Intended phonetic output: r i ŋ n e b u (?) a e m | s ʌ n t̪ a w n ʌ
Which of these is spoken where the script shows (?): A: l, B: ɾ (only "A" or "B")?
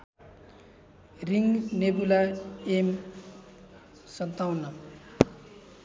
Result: A